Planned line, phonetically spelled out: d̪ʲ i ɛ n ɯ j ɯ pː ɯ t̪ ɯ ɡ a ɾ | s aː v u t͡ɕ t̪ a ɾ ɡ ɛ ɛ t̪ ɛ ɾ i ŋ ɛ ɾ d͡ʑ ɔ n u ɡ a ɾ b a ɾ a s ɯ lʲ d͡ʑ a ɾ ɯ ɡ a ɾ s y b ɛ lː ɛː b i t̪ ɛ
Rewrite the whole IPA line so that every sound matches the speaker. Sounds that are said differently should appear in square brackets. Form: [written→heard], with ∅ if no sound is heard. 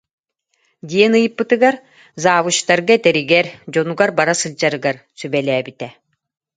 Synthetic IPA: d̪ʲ i ɛ n ɯ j ɯ pː ɯ t̪ ɯ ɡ a ɾ | [s→z] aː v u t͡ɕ t̪ a ɾ ɡ [ɛ→a] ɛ t̪ ɛ ɾ i [ŋ→ɡ] ɛ ɾ d͡ʑ ɔ n u ɡ a ɾ b a ɾ a s ɯ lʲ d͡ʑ a ɾ ɯ ɡ a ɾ s y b ɛ [lː→l] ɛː b i t̪ ɛ

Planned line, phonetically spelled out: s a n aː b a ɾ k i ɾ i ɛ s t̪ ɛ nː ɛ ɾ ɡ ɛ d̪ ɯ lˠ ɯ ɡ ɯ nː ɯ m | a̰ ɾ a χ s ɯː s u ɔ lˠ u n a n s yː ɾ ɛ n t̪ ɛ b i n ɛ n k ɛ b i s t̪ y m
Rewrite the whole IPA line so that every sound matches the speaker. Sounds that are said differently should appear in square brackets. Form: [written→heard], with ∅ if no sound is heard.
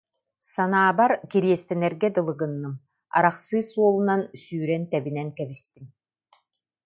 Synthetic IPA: s a n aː b a ɾ k i ɾ i ɛ s t̪ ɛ [nː→n] ɛ ɾ ɡ ɛ d̪ ɯ lˠ ɯ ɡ ɯ nː ɯ m | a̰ ɾ a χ s ɯː s u ɔ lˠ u n a n s yː ɾ ɛ n t̪ ɛ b i n ɛ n k ɛ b i s t̪ [y→i] m

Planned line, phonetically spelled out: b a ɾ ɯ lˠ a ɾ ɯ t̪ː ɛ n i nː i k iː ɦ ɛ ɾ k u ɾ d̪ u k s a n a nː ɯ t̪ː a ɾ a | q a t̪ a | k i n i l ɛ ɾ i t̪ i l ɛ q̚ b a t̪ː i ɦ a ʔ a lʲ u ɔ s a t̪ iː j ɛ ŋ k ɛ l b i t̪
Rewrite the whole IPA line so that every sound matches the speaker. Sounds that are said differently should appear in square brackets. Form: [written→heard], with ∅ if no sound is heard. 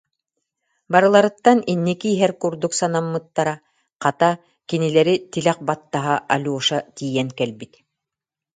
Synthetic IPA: b a ɾ ɯ lˠ a ɾ ɯ t̪ː [ɛ→a] n i nː i k iː ɦ ɛ ɾ k u ɾ d̪ u k s a n a [nː→mː] ɯ t̪ː a ɾ a | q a t̪ a | k i n i l ɛ ɾ i t̪ i l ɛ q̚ b a t̪ː [i→a] ɦ a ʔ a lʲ u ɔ [s→ʃ] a t̪ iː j ɛ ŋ k ɛ l b i t̪

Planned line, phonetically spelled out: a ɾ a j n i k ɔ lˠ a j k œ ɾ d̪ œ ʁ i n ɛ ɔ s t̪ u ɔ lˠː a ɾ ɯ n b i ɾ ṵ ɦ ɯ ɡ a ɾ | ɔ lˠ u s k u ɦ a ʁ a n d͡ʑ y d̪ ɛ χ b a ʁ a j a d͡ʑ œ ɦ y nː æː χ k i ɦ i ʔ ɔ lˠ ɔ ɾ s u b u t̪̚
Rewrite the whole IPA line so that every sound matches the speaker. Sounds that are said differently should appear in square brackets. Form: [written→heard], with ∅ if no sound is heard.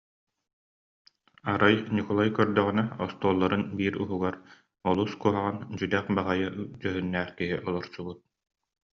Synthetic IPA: a ɾ a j n i k ɔ lˠ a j k œ ɾ d̪ œ ʁ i n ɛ ɔ s t̪ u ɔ lˠː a ɾ ɯ n b [i→iː] ɾ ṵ ɦ [ɯ→u] ɡ a ɾ | ɔ lˠ u s k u ɦ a ʁ a n d͡ʑ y d̪ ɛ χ b a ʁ a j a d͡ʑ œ ɦ y nː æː χ k i ɦ i ʔ ɔ lˠ ɔ ɾ s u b u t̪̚

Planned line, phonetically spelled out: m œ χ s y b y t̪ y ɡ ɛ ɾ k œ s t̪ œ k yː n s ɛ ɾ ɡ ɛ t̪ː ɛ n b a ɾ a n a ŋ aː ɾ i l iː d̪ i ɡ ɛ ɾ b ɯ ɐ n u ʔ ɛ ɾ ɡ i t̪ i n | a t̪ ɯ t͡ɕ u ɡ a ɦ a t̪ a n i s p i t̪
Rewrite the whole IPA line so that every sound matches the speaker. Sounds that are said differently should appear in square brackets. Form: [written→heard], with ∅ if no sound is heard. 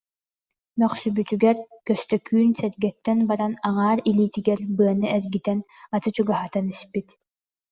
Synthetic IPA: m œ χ s y b y t̪ y ɡ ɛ ɾ k œ s t̪ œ k yː n s ɛ ɾ ɡ ɛ t̪ː ɛ n b a ɾ a n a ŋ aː ɾ i l iː [d̪→t̪] i ɡ ɛ ɾ b ɯ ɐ n [u→ɯ] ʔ ɛ ɾ ɡ i t̪ [i→ɛ] n | a t̪ ɯ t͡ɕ u ɡ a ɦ a t̪ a n i s p i t̪

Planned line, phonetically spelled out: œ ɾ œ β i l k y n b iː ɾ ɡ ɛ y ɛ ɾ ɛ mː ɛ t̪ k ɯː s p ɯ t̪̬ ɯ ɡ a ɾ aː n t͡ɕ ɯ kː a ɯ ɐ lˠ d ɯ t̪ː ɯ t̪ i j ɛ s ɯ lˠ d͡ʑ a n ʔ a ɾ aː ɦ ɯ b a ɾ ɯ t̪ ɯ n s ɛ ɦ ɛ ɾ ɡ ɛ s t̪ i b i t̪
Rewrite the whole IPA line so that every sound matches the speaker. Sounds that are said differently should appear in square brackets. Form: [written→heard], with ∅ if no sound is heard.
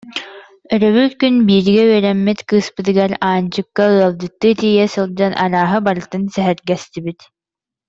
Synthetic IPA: œ ɾ œ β [i→y] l k y n b iː ɾ ɡ ɛ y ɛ ɾ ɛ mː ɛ t̪ k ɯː s p ɯ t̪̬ ɯ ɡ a ɾ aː n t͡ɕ ɯ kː a ɯ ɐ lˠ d ɯ t̪ː ɯ t̪ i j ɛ s ɯ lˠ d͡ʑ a n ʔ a ɾ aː ɦ ɯ b a ɾ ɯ t̪ ɯ n s ɛ ɦ ɛ ɾ ɡ ɛ s t̪ i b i t̪

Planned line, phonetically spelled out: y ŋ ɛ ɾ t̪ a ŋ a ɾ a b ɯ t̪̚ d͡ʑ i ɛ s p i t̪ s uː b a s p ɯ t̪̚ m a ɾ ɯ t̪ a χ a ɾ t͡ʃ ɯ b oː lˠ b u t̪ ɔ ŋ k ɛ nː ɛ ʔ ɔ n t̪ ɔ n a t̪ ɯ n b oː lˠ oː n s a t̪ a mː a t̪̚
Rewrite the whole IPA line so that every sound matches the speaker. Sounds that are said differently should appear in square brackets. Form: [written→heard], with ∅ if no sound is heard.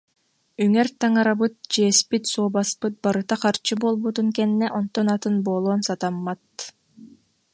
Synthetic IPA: y ŋ ɛ ɾ t̪ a ŋ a ɾ a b ɯ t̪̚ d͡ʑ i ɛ s p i t̪ s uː b a s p ɯ t̪̚ [m→b] a ɾ ɯ t̪ a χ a ɾ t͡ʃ ɯ b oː lˠ b u t̪ [ɔ→u] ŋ k ɛ nː ɛ ʔ ɔ n t̪ ɔ n a t̪ ɯ n b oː lˠ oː n s a t̪ a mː a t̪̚

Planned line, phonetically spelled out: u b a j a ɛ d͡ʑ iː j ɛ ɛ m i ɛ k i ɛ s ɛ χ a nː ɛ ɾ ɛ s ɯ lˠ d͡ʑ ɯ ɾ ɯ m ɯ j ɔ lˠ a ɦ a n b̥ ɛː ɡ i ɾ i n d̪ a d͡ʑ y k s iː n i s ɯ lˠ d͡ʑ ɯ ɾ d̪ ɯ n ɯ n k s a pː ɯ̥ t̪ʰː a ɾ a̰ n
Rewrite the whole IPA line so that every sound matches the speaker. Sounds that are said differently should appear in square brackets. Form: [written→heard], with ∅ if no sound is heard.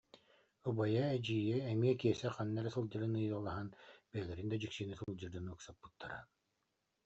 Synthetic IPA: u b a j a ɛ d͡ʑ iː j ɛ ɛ m i ɛ k i ɛ s ɛ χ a nː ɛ ɾ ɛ s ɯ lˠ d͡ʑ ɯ ɾ ɯ [m→n] ɯ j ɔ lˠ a ɦ a n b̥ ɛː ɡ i ɾ i n d̪ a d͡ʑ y k s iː n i s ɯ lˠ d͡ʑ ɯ ɾ d̪ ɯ n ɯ [n→∅] k s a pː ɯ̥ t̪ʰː a ɾ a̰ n

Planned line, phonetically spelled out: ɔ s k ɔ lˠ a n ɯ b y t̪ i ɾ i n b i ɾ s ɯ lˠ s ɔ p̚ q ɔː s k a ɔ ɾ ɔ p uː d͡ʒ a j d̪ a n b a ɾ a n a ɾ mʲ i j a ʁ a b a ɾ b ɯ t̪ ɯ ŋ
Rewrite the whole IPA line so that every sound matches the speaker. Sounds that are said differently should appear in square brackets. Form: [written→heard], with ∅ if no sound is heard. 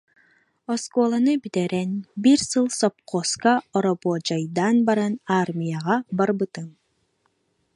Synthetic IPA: ɔ s k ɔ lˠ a n ɯ b [y→i] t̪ [i→ɛ] ɾ [i→ɛ] n b i ɾ s ɯ lˠ s ɔ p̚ q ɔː s k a ɔ ɾ ɔ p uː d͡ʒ a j d̪ a n b a ɾ a n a ɾ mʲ i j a ʁ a b a ɾ b ɯ t̪ ɯ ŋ

